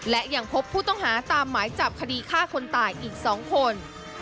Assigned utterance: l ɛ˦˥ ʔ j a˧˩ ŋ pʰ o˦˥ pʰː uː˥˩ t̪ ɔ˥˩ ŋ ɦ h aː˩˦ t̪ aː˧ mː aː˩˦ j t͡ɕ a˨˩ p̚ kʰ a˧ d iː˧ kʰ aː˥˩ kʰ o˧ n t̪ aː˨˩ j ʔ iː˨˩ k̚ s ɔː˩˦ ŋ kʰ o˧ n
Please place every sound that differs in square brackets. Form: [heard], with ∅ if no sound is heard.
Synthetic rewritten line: l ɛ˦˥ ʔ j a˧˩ ŋ pʰ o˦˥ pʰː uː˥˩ t̪ ɔ˥˩ ŋ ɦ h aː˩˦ t̪ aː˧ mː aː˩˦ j t͡ɕ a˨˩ p̚ kʰ a˧ d iː˧ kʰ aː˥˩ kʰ o˧ n t̪ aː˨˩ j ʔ iː˨˩ k̚ s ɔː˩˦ ŋ kʰ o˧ n